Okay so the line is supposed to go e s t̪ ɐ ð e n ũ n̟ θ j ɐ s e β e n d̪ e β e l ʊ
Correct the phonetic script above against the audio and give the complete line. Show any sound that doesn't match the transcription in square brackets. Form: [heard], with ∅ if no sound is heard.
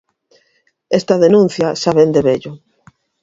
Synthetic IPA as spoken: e s t̪ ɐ ð e n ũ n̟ θ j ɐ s [a] β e n d̪ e β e [ʎ] ʊ

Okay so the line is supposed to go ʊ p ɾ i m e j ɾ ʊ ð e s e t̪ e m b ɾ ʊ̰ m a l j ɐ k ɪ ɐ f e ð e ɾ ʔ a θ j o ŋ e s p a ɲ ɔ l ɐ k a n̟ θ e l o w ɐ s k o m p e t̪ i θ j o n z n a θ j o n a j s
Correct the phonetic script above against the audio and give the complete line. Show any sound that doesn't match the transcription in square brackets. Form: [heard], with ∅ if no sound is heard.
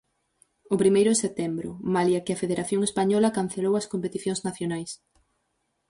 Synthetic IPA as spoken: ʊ p ɾ i m e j ɾ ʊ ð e s e t̪ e m b ɾ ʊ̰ m a l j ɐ k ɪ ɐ f e ð e ɾ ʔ a θ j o ŋ e s p a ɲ ɔ l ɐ k a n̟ θ e l o w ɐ s k o m p e t̪ i θ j o [ŋ] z n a θ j o n a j s

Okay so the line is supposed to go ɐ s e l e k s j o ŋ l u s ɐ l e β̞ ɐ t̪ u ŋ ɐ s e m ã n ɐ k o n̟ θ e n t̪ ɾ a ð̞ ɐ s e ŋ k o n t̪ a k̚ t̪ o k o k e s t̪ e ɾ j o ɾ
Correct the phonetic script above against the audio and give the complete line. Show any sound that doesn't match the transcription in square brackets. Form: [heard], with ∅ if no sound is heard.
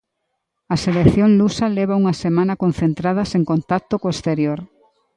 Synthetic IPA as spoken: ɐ s e l e k [θ] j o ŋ l u s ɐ l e β̞ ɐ [∅] u ŋ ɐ s e m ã n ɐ k o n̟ θ e n t̪ ɾ a ð̞ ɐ s e ŋ k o n t̪ a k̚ t̪ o k o [∅] e s t̪ e ɾ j o ɾ

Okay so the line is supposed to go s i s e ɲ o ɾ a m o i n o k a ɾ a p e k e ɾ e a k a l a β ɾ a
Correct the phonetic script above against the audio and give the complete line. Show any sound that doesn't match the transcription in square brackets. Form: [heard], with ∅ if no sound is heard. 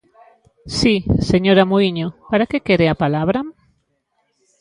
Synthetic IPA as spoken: s i s e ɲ o ɾ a m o i [ɲ] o [p] a ɾ a [k] e k e ɾ e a [p] a l a β ɾ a

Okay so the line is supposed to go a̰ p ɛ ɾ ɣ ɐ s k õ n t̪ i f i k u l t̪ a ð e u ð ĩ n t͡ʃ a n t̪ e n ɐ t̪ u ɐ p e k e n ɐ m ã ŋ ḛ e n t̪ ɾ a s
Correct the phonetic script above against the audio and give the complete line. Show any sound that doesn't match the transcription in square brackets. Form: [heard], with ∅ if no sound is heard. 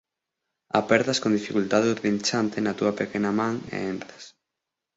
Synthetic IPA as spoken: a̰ p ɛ ɾ [ð] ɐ s k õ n [d̪] i f i k u l t̪ a ð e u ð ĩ n t͡ʃ a n t̪ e n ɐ t̪ u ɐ p e k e n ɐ m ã ŋ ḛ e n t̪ ɾ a s

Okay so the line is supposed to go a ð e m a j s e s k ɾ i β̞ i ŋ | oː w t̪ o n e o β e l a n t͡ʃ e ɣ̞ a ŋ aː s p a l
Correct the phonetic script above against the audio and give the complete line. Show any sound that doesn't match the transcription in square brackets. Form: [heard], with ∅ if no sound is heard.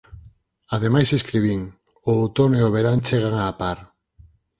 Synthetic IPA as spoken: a ð e m a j s e s k ɾ i β̞ i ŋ | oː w t̪ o n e o β e [ɾ] a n t͡ʃ e ɣ̞ a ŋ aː [∅] p a [ɾ]

